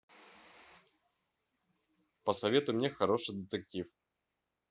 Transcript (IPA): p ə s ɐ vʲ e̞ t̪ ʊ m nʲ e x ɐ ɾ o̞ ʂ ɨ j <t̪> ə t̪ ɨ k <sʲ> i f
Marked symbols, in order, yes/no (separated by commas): no, no